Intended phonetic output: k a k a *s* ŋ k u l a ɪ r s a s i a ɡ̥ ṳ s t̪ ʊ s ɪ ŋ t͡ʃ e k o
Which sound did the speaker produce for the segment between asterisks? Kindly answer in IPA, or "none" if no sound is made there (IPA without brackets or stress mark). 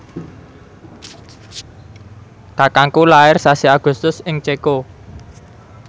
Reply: none